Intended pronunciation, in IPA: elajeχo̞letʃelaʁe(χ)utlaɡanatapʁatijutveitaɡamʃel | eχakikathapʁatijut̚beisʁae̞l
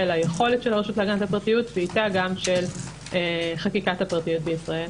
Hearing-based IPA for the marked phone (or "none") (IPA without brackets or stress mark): ʃ